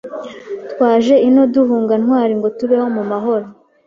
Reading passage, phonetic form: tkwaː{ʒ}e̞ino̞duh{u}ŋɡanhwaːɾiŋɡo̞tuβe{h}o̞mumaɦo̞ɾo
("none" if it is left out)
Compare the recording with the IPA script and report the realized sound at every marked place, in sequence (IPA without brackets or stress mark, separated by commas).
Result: ʒ, uː, h